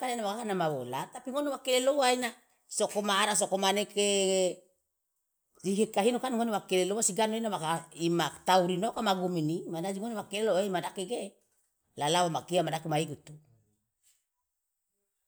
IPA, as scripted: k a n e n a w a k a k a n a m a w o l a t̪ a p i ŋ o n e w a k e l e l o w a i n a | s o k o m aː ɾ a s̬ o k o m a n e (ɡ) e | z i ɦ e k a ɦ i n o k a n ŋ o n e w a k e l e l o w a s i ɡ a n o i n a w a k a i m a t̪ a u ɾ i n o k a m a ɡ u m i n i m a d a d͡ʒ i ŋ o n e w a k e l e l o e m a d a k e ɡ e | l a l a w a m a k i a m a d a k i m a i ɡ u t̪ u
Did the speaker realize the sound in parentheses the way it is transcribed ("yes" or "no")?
no